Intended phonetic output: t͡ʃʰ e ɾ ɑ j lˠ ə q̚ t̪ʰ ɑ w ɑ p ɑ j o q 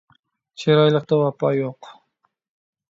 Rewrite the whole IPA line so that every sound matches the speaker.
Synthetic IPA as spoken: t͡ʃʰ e ɾ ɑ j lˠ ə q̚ t̪ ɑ w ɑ p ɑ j o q